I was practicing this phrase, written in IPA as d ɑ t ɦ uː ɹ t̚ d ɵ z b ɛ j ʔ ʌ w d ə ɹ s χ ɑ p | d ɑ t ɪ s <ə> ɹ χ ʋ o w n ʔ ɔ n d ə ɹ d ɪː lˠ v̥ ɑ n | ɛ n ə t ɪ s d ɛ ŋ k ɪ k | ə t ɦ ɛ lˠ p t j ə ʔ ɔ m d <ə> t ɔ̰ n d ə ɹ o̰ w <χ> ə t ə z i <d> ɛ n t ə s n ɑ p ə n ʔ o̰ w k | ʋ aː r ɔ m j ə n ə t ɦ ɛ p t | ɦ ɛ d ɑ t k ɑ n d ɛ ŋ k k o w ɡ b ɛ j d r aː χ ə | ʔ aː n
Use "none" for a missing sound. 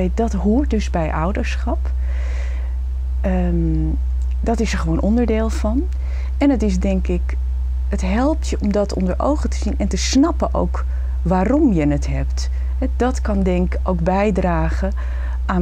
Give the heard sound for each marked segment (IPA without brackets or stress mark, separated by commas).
ə, ɑ, χ, n